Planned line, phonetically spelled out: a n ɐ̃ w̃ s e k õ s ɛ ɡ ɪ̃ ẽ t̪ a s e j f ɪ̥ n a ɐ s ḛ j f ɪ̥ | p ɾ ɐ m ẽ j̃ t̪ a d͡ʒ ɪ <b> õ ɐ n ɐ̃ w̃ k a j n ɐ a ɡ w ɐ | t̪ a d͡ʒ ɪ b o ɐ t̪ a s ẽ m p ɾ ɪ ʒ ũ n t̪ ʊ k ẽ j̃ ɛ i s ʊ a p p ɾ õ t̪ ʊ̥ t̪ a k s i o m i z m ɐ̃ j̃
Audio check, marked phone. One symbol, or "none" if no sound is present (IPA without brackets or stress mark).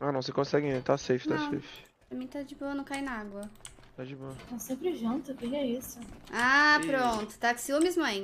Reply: b